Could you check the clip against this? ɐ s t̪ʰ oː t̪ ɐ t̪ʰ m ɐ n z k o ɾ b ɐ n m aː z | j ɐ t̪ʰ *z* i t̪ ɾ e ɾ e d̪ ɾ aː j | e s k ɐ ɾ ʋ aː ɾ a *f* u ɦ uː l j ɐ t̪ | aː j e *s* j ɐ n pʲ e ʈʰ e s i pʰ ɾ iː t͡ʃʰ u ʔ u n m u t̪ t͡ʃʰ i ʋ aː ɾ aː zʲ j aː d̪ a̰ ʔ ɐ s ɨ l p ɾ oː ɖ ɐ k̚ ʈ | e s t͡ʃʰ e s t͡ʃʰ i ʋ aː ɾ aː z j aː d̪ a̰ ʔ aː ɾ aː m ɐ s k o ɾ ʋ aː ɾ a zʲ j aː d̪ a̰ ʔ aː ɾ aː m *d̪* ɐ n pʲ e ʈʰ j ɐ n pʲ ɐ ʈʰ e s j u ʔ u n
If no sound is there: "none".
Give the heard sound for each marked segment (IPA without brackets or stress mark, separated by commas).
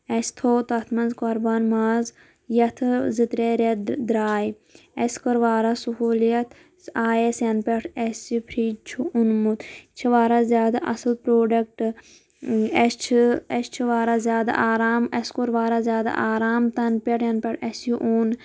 z, s, s, t̪